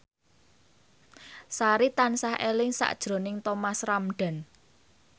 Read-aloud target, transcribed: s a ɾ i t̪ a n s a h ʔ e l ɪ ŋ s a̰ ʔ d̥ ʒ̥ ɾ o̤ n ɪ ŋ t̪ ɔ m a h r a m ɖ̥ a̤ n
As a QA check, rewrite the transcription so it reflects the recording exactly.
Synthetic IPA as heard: s a ɾ i t̪ a n s a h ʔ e l ɪ ŋ s a̰ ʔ d̥ ʒ̥ ɾ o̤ n ɪ ŋ t̪ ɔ m a s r a m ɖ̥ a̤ n

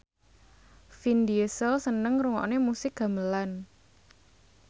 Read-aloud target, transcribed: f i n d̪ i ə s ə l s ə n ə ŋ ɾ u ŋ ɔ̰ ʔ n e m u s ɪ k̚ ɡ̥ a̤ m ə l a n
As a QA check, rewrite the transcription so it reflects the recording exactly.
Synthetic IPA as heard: f i n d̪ i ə s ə l s ə n ə ŋ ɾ u ŋ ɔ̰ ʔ n e m u s ɪ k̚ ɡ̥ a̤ m ə l a n

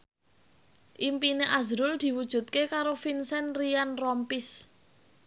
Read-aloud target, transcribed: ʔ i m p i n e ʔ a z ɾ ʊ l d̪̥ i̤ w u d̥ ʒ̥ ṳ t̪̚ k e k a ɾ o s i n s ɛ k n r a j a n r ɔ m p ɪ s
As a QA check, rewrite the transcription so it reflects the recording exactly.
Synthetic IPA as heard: ʔ i m p i n e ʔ a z ɾ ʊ l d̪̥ i̤ w u d̥ ʒ̥ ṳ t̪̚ k e k a ɾ o f i n s ɛ n r i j a n r ɔ m p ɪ s

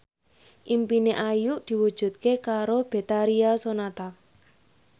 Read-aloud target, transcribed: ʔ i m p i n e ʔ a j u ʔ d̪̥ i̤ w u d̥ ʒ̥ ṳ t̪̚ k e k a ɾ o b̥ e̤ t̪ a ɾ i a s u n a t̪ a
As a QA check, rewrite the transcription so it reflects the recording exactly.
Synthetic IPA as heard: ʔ i m p i n e ʔ a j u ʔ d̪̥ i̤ w u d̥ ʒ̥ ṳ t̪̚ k e k a ɾ o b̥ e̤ t̪ a ɾ i a s o n a t̪ a

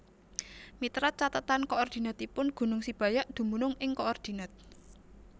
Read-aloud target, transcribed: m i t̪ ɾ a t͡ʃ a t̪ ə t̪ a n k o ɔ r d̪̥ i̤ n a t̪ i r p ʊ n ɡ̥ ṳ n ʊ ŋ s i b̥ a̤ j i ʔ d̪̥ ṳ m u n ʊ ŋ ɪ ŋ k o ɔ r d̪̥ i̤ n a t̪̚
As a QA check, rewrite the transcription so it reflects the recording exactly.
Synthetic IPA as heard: m i t̪ ɾ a t͡ʃ a t̪ ə t̪ a n k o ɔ r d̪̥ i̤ n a t̪ i p ʊ n ɡ̥ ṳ n ʊ ŋ s i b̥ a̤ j a ʔ d̪̥ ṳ m u n ʊ ŋ ɪ ŋ k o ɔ r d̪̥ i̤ n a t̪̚

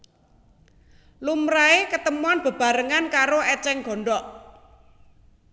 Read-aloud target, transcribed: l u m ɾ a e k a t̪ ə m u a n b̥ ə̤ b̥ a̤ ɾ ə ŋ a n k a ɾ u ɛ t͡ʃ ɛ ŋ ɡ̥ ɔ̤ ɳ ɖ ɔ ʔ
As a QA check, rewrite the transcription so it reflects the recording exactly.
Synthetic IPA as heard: l u m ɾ a e k ə t̪ ə m u a n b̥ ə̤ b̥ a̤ ɾ ə ŋ a n k a ɾ o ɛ t͡ʃ ɛ ŋ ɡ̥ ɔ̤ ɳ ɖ ɔ ʔ

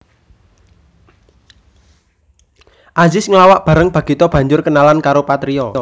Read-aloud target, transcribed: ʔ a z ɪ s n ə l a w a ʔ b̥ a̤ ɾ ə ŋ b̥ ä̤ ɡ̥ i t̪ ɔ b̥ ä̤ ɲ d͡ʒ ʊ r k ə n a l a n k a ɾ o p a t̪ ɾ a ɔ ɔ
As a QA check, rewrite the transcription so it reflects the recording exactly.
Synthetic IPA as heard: ʔ a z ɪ s ŋ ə l a w a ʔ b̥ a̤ ɾ ə ŋ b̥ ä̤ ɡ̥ i t̪ ɔ b̥ ä̤ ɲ d͡ʒ ʊ r k ə n a l a n k a ɾ o p a t̪ ɾ i ɔ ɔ

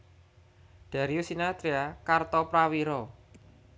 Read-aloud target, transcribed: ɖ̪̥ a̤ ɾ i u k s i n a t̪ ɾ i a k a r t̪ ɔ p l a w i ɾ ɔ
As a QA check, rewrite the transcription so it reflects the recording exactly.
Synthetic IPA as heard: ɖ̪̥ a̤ ɾ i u s i n a t̪ ɾ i a k a r t̪ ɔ p ɾ a w i ɾ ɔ

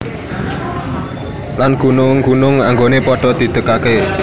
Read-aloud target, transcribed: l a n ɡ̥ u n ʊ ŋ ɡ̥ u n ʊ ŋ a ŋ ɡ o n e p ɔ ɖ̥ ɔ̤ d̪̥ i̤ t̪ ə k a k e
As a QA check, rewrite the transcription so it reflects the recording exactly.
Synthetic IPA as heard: l a n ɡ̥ u n ʊ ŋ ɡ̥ u n ʊ ŋ a ŋ ɡ o n e p ɔ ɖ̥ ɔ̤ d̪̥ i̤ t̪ ə k a k e

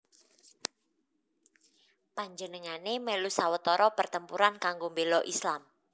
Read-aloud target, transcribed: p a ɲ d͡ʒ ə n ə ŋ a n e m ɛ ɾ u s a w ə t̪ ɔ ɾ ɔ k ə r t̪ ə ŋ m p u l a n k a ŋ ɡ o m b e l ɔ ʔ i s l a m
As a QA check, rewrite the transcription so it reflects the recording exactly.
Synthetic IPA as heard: p a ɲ d͡ʒ ə n ə ŋ a n e m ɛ l u s a w ə t̪ ɔ ɾ ɔ p ə r t̪ ə m p u ɾ a n k a ŋ ɡ o m b e l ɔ ʔ i s l a m

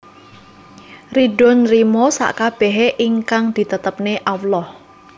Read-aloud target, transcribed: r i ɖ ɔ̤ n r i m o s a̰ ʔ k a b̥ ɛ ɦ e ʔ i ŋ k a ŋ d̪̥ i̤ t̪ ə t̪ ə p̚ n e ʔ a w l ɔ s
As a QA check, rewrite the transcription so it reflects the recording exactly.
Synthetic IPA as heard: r i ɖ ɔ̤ n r i m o s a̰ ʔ k a b̥ ɛ ɦ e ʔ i ŋ k a ŋ d̪̥ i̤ t̪ ə t̪ ə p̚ n e ʔ a w l ɔ h

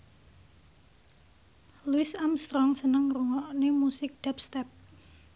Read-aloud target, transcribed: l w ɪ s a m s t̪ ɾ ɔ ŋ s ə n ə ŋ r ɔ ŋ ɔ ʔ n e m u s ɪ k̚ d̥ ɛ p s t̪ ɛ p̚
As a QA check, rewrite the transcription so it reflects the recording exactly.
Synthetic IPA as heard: l u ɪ s a m s t̪ ɾ ɔ ŋ s ə n ə ŋ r u ŋ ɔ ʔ n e m u s ɪ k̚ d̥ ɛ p s t̪ ɛ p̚

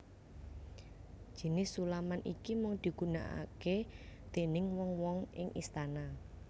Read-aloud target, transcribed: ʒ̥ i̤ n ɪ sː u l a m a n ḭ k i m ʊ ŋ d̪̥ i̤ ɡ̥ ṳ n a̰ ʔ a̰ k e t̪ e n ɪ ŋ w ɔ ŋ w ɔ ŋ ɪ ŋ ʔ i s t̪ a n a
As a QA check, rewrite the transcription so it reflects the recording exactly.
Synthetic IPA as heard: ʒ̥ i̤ n ɪ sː u l a m a n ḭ k i m ʊ ŋ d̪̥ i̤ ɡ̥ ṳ n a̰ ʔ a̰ k e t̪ e n ɪ ŋ w ɔ ŋ w ɔ ŋ ɪ ŋ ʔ i s t̪ a n a

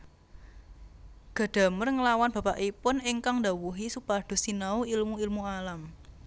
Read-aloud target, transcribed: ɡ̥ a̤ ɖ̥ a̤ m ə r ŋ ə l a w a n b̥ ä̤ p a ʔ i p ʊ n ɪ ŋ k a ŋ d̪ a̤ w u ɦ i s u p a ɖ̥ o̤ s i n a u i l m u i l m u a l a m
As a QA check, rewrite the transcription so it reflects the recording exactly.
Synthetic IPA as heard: ɡ̥ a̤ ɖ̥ a̤ m ə r ŋ ə l a w a n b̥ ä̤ p a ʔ i p ʊ n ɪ ŋ k a ŋ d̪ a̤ w u ɦ i s u p a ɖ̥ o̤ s i n a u i l m u i l m u a l a m

